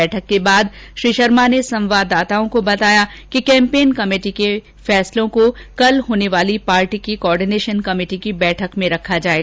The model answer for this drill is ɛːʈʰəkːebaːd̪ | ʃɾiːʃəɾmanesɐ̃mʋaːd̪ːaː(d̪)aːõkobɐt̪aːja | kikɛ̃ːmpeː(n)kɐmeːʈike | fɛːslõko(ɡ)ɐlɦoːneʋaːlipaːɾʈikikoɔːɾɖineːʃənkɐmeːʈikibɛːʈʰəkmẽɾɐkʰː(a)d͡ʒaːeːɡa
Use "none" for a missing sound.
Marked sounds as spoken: t̪, n, k, a

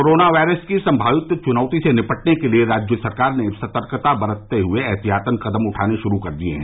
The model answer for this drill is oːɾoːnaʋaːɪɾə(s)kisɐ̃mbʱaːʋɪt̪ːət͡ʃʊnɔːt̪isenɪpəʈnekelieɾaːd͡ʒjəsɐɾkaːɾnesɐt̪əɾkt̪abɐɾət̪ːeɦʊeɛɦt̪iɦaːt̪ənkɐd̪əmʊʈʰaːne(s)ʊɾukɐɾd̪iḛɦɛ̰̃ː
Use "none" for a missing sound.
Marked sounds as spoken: s, ʃ

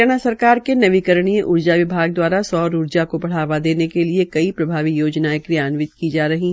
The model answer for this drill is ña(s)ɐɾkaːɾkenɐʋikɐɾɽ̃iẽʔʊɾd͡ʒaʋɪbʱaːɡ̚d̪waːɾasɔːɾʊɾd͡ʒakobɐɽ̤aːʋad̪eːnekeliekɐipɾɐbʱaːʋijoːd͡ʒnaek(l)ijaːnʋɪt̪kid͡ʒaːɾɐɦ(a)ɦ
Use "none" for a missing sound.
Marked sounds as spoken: s, ɾ, i

